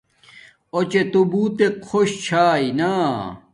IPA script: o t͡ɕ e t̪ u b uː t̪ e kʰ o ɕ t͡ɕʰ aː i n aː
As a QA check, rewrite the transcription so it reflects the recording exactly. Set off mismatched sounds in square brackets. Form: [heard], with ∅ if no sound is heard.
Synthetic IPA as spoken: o t͡ɕ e t̪ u b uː t̪ e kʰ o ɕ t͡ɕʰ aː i n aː